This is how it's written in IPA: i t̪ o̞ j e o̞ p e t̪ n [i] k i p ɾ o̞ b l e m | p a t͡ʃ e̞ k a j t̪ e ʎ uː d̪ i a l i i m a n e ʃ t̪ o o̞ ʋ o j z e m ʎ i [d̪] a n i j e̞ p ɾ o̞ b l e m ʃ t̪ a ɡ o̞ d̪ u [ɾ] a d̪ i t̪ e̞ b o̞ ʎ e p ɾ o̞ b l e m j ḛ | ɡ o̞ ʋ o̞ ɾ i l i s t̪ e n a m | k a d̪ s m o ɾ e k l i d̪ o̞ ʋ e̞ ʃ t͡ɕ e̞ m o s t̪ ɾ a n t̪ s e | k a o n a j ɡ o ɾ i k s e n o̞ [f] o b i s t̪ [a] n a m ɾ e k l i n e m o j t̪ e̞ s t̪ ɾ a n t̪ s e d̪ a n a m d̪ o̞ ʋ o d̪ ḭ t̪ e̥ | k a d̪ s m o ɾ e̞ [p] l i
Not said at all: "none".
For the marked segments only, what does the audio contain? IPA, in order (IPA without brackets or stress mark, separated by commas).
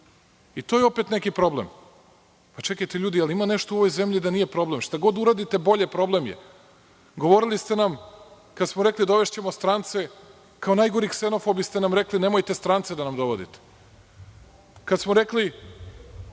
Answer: e, d̪, ɾ, f, e, k